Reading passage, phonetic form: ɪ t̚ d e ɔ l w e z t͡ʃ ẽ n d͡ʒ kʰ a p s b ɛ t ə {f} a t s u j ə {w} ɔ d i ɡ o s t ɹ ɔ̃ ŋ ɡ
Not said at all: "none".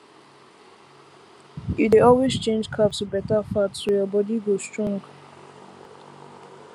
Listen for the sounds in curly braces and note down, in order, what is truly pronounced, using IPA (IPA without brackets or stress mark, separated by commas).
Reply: f, b